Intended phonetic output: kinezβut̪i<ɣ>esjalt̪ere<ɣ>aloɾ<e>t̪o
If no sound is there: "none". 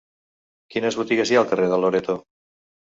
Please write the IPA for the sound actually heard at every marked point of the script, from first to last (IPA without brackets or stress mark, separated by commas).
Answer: ɣ, ð, e